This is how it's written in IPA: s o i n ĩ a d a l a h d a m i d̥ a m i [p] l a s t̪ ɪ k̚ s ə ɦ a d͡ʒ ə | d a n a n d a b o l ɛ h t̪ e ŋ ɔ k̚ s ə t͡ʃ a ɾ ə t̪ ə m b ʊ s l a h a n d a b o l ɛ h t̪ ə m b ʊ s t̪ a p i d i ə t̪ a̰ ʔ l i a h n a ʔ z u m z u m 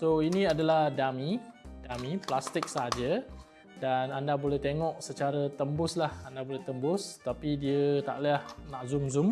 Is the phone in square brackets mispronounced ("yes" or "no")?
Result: no